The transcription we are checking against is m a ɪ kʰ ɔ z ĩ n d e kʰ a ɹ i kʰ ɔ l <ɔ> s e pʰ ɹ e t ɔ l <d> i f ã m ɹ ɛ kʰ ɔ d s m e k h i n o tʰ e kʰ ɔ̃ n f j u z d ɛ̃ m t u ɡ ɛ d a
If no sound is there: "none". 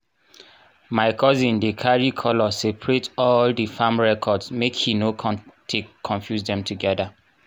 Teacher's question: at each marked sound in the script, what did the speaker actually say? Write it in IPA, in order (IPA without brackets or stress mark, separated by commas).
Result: ɔ, d